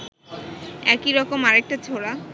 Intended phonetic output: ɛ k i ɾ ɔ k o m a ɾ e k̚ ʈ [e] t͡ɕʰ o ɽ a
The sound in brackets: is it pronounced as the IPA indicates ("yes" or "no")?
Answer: no